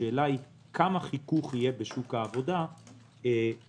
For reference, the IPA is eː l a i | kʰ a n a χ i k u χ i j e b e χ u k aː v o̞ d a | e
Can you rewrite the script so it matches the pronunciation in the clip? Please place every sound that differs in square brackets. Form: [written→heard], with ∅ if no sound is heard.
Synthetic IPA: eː l a i | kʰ a [n→m] a χ i k u χ i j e b e [χ→ʃ] u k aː v o̞ d a | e